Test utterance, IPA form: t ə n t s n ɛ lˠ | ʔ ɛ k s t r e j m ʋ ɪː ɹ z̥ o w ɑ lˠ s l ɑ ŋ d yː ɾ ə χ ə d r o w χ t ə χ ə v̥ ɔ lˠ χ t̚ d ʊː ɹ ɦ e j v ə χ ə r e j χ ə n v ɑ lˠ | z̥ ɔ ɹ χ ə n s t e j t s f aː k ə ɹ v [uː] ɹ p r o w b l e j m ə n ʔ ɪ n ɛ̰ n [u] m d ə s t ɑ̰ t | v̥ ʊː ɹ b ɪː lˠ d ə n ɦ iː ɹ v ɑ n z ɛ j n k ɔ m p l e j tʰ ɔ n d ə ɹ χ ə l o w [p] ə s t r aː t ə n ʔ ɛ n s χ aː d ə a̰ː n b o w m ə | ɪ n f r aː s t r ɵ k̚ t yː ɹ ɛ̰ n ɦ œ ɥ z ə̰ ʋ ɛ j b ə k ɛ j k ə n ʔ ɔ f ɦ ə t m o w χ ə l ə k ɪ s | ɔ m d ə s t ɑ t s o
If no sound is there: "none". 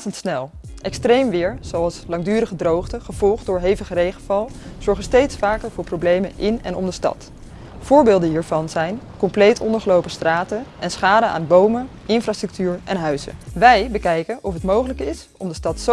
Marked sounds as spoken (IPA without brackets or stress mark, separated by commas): ʊː, ɔ, p